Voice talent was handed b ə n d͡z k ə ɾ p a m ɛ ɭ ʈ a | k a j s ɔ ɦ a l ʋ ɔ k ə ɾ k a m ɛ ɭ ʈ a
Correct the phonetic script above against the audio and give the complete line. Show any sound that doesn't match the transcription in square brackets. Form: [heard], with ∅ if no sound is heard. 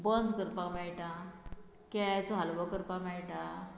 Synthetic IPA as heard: b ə n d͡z k ə ɾ p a m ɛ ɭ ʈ a | k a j [t͡s] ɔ ɦ a l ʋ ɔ k ə ɾ [p] a m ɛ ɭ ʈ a